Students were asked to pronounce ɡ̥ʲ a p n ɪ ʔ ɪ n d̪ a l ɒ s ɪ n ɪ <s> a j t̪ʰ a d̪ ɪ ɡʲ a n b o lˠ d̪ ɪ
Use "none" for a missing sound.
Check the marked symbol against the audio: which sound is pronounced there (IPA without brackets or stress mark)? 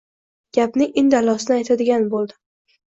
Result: none